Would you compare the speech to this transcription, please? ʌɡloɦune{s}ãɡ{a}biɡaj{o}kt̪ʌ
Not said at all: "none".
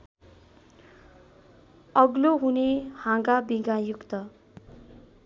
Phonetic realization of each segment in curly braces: h, a, u

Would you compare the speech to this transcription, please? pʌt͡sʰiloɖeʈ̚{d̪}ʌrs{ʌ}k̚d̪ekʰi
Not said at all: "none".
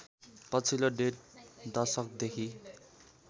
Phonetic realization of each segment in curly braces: d̪, ʌ

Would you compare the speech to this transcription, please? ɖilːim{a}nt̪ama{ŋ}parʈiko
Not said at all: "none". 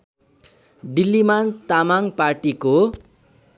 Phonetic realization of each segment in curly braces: a, ŋ

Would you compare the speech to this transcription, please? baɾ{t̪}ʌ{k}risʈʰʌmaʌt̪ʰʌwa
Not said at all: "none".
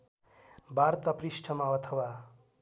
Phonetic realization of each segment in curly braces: t̪, p

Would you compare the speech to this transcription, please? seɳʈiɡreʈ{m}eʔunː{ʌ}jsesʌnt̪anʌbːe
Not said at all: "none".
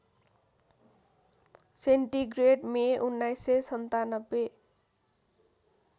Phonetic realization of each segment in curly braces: m, a

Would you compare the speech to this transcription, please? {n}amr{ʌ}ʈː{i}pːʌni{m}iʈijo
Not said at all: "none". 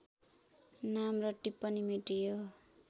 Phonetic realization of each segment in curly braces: n, ʌ, i, m

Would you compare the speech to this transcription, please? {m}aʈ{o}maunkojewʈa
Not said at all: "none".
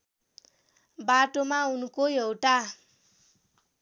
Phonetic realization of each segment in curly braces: b, o

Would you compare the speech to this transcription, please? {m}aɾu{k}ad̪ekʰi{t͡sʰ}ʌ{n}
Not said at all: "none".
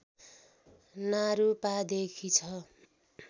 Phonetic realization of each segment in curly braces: n, p, t͡sʰ, none

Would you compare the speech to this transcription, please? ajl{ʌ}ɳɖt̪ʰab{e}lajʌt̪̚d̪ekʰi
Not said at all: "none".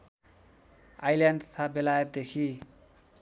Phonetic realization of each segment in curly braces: a, e

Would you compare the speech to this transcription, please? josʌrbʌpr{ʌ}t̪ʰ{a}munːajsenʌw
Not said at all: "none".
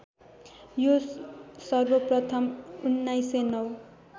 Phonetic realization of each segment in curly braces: ʌ, ʌ

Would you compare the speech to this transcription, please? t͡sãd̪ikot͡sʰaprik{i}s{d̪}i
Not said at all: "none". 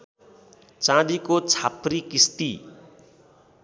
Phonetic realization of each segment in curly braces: i, t̪

